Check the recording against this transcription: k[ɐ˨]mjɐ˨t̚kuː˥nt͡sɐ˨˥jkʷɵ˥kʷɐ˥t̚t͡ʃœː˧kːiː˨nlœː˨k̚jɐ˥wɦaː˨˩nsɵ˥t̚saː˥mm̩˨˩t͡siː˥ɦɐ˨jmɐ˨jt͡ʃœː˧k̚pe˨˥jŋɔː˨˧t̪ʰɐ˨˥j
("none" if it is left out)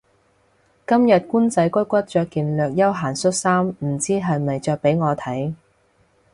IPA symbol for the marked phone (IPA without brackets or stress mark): ɐ˥